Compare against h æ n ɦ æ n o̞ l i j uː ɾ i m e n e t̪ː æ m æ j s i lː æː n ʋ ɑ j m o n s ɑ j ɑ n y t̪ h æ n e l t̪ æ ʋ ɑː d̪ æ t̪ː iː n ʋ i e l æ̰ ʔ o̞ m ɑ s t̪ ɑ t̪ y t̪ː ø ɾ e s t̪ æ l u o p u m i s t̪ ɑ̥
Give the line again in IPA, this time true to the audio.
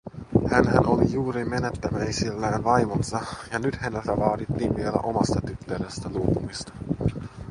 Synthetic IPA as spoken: h æ n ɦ æ n o̞ l i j uː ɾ i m e n e t̪ː æ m æ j s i lː æː n ʋ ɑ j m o n s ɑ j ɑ n y t̪ h æ n e l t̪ æ ʋ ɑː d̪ i t̪ː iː n ʋ i e l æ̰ ʔ o̞ m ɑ s t̪ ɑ t̪ y t̪ː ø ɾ e s t̪ æ l u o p u m i s t̪ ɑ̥